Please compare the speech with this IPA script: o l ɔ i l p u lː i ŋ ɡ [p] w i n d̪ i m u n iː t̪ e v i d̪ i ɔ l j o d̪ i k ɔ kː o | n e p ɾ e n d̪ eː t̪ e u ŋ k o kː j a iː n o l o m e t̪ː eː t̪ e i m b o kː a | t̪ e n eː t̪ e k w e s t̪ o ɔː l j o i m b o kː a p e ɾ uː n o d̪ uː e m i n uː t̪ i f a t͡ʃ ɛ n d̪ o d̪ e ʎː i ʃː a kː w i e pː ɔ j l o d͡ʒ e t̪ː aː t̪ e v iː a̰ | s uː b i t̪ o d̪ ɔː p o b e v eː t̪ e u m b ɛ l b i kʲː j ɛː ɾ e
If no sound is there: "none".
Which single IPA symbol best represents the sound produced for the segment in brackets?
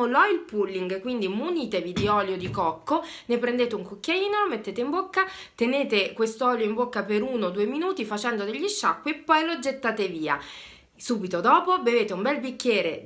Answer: k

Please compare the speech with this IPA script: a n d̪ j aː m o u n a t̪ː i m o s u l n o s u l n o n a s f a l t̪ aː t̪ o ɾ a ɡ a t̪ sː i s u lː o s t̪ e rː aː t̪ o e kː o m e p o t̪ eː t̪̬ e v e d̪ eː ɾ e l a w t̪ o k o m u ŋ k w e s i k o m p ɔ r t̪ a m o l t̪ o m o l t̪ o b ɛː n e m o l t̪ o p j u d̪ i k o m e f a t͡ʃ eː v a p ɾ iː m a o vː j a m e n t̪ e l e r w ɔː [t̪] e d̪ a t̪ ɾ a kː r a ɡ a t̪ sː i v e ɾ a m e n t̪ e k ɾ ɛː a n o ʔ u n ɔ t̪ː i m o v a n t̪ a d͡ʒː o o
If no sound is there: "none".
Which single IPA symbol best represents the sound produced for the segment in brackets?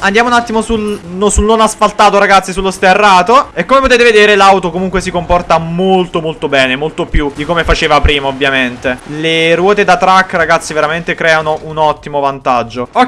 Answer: t̪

